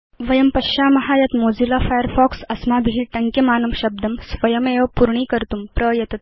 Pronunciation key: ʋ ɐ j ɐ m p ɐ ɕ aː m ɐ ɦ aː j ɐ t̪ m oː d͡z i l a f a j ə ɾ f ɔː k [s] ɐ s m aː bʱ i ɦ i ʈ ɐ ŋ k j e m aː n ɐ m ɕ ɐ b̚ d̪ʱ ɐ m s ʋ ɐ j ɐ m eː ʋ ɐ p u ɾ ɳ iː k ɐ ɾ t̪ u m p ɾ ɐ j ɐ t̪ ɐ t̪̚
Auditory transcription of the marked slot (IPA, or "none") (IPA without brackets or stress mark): s